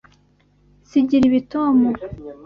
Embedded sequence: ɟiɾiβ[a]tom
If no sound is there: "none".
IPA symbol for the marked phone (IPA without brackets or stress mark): i